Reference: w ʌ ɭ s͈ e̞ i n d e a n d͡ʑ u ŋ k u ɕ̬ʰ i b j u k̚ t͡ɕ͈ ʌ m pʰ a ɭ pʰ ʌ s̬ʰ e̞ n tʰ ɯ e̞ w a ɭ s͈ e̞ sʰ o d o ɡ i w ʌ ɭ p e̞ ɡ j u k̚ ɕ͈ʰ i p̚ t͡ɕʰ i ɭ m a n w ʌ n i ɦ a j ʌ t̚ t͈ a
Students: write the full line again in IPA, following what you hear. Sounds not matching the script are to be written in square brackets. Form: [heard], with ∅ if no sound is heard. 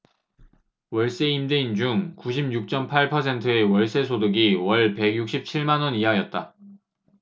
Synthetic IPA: w ʌ ɭ s͈ e̞ i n d e [i] n d͡ʑ u ŋ k u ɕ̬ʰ i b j u k̚ t͡ɕ͈ ʌ m pʰ a ɭ pʰ ʌ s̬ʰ e̞ n tʰ ɯ e̞ w [ʌ] ɭ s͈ e̞ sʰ o d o ɡ i w ʌ ɭ p e̞ ɡ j u k̚ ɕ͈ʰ i p̚ t͡ɕʰ i ɭ m a n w ʌ n i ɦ a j ʌ t̚ t͈ a